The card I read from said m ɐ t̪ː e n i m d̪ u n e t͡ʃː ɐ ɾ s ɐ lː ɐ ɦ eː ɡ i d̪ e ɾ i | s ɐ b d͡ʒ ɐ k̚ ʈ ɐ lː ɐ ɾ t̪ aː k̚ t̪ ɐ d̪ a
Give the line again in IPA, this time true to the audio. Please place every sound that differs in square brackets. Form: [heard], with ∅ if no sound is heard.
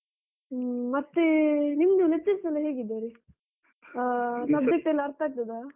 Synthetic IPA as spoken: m ɐ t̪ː e n i m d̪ u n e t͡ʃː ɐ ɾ s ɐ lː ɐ ɦ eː ɡ i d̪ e ɾ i | s ɐ b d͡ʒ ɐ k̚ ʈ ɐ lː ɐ ɾ t̪ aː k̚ t̪ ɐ d̪ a